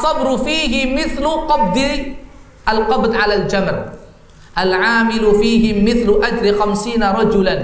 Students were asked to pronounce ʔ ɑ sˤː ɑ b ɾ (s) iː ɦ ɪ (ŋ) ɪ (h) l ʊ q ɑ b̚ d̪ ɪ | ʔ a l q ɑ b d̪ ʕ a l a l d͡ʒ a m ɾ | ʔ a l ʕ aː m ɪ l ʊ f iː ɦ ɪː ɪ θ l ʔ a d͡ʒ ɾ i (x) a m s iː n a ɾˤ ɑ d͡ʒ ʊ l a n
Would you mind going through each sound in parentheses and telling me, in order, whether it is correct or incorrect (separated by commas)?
incorrect, incorrect, incorrect, correct